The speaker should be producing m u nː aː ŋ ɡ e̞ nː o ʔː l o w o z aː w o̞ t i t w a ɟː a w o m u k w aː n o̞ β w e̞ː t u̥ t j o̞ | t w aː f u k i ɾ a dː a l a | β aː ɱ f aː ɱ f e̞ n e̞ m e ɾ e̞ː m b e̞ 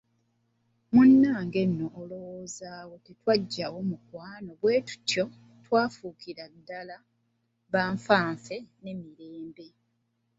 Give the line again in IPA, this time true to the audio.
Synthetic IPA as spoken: m u nː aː ŋ ɡ e̞ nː o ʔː l o w o z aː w o̞ t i t w a ɟː a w o m u k w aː n o̞ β w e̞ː t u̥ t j o̞ | t w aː f u k i ɾ a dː a l a | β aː ɱ f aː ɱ f e̞ n e̞ m i ɾ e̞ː m b e̞